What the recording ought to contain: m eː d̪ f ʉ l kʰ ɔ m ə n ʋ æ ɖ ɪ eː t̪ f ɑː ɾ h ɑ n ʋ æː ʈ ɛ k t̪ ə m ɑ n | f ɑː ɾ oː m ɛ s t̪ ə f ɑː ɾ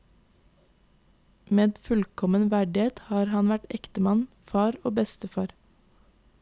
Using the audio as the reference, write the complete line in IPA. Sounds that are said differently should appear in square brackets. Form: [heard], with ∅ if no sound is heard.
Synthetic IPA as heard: m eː d̪ f ʉ l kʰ ɔ m ə n ʋ æ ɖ ɪ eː t̪ [h] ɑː ɾ h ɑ n ʋ [æ] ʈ ɛ k t̪ ə m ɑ n | f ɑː ɾ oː [b] ɛ s t̪ ə f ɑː ɾ